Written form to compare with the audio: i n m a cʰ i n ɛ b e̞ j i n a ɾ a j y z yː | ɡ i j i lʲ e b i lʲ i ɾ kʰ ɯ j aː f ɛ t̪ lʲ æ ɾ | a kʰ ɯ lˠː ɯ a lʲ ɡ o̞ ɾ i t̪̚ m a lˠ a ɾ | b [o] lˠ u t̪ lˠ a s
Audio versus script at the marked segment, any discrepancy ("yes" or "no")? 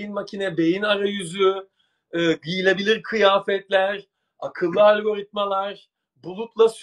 yes